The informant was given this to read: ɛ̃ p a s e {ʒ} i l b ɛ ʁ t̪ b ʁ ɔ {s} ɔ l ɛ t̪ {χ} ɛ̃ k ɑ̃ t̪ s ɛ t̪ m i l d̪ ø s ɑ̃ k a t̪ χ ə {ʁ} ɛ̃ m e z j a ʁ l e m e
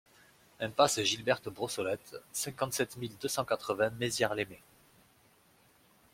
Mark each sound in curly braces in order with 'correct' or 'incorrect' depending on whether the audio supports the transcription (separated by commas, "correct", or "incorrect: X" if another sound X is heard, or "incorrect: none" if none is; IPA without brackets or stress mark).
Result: correct, correct, incorrect: s, incorrect: v